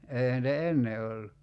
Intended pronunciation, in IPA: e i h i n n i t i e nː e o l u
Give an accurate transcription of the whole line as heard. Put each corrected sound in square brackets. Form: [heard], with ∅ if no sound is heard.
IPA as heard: e i h [æ] n n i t [æ] e nː e o [lː] u

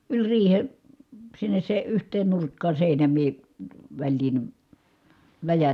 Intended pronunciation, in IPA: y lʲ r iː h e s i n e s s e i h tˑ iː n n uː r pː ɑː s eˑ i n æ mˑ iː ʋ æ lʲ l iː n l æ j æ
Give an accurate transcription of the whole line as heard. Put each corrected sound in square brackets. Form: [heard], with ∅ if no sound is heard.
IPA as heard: y lʲ r iː h e s i [nː] e s s e [y] h tˑ [eː] n n [u] r [kː] ɑː s eˑ i n æ mˑ iː ʋ æ lʲ l iː n l æ j æ

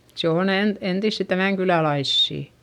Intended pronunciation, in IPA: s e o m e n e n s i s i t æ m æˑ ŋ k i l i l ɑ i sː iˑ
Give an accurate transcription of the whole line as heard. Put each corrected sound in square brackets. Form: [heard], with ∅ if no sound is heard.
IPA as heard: s e o [n] e n e n [t] i [sː] i t æ m æˑ ŋ k [y] l [æ] l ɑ i sː iˑ

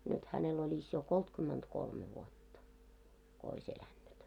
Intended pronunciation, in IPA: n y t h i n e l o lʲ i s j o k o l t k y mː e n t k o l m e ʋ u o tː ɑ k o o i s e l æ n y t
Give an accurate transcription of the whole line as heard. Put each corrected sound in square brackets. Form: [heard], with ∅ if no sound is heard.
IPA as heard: n y t h [æ] n e l o lʲ i s j o k o l t k y mː e n t k o l m e ʋ u o tː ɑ k o o i s e l æ [nː] y t

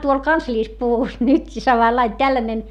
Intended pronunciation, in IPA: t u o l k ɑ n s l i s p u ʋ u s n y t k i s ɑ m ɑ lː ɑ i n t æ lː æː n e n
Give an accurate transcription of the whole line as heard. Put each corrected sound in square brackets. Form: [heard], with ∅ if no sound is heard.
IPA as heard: t u o l k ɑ n s l [iː] s p u ʋ u s n y t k i s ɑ m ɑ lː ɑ i n t æ lː [æ] n e n

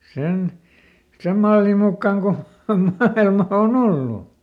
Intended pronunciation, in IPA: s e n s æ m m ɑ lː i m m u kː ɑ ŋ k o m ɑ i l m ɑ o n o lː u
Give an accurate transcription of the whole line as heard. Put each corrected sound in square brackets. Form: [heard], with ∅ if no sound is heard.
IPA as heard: s e n s [e] m m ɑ lː i m m u kː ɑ ŋ k o m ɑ i l m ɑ o n o lː u

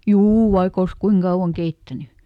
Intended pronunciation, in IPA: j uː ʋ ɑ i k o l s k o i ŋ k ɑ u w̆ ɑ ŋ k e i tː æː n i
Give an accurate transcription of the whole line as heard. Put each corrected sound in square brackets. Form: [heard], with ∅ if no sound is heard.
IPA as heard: j uː ʋ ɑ i k o l s k [u] i ŋ k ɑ u w̆ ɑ ŋ k e i tː [æ] n [y]

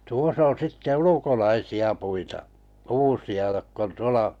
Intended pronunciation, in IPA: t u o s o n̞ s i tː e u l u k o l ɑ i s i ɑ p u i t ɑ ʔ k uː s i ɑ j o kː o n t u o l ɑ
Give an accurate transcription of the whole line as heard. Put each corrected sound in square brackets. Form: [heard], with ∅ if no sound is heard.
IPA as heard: t u o s o n̞ s i tː e u l u k o l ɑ i s i ɑ p u i t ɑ ʔ k uː s i ɑ j o kː o n t u o l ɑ

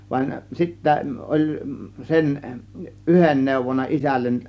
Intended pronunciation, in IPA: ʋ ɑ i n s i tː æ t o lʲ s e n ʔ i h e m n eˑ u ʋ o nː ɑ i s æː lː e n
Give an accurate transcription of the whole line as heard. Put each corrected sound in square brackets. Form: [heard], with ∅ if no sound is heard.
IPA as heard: ʋ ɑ i n s i tː æ [ʔ] o lʲ s e n ʔ [y] h e [n] n eˑ u ʋ o nː ɑ i s [æ] lː e n

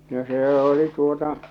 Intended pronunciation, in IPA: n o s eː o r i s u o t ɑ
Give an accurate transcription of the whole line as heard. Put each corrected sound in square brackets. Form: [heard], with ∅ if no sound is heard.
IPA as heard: n o s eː o [l] i [t] u o t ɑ

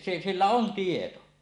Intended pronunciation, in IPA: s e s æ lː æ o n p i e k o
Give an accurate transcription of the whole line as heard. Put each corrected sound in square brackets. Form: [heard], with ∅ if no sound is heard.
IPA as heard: s e s [i] lː æ o n [t] i e [t] o

